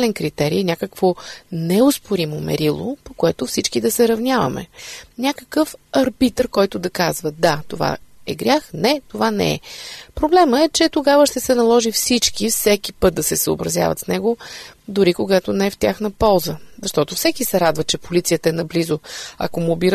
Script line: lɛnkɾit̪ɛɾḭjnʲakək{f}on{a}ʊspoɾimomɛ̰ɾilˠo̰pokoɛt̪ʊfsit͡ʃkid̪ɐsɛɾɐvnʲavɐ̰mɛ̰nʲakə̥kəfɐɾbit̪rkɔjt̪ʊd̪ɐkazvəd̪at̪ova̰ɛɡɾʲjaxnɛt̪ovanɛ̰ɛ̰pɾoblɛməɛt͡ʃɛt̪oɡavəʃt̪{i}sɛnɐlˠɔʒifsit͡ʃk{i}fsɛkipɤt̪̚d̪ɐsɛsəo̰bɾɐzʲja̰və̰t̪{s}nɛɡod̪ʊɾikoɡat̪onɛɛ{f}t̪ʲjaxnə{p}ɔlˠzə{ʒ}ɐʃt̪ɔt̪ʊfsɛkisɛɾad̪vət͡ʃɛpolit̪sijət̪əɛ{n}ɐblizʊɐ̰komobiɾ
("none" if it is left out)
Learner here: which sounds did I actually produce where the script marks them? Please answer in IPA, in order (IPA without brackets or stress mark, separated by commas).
v, ɛ, ɛ, i, s, f, p, z, n